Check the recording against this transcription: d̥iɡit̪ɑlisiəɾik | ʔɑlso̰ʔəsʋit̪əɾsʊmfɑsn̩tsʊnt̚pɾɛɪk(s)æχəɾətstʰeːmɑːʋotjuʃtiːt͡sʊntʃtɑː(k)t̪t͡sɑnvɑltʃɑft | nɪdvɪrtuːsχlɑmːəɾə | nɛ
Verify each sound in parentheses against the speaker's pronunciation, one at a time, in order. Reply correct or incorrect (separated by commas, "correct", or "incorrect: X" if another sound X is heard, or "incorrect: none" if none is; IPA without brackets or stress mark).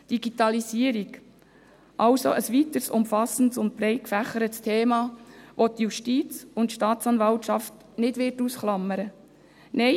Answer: incorrect: f, incorrect: none